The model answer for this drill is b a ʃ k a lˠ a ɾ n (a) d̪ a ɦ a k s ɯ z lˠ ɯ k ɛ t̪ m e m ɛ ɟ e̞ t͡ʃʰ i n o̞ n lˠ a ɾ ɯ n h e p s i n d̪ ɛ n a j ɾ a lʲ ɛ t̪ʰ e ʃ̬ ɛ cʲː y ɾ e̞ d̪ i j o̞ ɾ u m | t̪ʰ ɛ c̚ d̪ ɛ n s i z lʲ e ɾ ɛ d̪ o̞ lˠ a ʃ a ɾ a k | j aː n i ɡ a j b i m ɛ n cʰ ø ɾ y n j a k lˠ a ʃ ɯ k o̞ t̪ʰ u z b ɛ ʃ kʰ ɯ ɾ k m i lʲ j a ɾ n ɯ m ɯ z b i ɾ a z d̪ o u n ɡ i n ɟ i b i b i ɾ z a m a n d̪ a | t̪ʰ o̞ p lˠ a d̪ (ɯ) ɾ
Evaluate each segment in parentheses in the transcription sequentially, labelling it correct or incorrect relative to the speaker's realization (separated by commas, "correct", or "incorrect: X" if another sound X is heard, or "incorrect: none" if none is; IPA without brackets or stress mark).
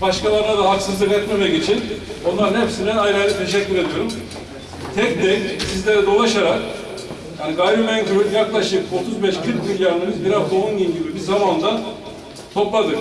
correct, correct